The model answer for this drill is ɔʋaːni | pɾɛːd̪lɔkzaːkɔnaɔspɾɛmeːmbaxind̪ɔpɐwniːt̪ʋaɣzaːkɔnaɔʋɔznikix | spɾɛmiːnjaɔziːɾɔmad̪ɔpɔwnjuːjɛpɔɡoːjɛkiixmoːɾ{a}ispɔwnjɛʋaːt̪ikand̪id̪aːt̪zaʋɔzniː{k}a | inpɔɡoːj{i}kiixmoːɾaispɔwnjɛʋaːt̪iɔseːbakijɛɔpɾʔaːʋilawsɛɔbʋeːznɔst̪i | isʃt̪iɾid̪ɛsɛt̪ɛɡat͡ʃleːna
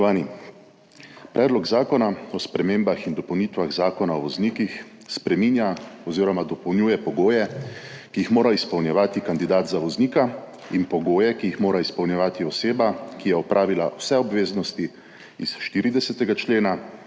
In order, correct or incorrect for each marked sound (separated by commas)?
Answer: correct, correct, incorrect